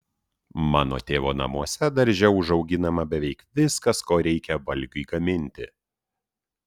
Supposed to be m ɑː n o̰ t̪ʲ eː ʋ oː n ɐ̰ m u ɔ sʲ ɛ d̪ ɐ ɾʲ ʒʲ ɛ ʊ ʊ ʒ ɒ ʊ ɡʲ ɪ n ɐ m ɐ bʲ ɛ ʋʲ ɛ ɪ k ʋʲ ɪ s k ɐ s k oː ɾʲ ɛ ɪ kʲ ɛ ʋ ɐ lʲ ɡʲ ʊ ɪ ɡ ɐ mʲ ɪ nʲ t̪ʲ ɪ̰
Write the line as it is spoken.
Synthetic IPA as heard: m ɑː n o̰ t̪ʲ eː ʋ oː n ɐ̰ m u ɔ sʲ ɛ d̪ ɐ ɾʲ ʒʲ ɛ ʊ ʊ ʒ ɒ ʊ ɡʲ ɪ n ɐ m ɐ bʲ ɛ ʋʲ ɛ ɪ k ʋʲ ɪ s k ɐ s k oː ɾʲ ɛ ɪ kʲ ɛ ʋ ɐ lʲ ɡʲ ʊ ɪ ɡ ɐ mʲ ɪ nʲ t̪ʲ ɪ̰